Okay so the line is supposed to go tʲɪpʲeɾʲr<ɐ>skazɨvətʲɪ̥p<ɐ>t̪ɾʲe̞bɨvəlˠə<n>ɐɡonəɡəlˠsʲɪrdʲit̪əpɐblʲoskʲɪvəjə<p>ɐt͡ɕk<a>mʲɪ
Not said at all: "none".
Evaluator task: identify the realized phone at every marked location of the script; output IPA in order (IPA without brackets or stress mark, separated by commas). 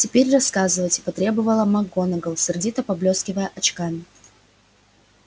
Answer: ɐ, ɐ, m, ʔ, a